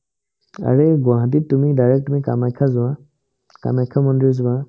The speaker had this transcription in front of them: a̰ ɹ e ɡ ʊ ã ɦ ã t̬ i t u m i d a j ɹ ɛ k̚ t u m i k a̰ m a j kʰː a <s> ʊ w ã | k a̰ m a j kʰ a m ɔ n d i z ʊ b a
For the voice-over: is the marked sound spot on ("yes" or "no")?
no